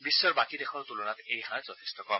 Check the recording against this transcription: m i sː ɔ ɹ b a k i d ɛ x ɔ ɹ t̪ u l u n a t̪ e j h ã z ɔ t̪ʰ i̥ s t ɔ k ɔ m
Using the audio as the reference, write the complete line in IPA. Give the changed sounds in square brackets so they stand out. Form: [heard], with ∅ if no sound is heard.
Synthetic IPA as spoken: [b] i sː ɔ ɹ b a k i d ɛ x ɔ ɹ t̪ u l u n a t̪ e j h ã z ɔ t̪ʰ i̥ s t ɔ k ɔ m